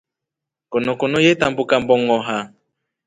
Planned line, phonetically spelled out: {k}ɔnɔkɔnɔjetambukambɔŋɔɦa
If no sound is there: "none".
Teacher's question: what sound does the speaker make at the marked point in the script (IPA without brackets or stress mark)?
k